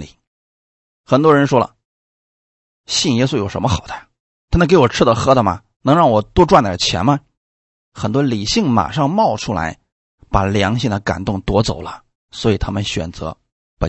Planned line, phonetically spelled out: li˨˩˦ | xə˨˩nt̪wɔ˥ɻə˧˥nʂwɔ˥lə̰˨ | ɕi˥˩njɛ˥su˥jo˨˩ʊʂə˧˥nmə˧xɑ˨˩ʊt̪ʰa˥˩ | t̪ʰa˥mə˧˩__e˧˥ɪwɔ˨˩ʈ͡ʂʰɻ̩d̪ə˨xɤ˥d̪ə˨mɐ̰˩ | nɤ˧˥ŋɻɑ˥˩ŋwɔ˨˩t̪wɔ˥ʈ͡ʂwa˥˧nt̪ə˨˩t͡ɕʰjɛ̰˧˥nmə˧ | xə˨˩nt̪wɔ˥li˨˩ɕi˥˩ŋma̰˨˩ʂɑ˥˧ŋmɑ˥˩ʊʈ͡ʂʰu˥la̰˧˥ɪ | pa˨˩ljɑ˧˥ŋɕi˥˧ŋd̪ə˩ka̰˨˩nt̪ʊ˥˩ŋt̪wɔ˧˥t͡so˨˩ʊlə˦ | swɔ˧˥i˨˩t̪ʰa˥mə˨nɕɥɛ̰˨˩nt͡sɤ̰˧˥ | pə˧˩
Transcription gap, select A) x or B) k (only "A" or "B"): B